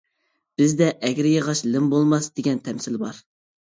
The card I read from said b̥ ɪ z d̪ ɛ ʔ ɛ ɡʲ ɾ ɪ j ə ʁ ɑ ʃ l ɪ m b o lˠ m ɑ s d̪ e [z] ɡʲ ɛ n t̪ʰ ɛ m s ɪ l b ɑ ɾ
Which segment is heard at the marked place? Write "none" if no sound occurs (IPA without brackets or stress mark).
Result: none